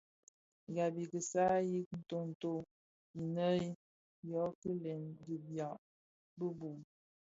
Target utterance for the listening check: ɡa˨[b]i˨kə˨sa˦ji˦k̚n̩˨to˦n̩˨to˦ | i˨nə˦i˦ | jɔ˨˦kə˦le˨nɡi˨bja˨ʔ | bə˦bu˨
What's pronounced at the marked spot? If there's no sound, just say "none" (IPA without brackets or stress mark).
b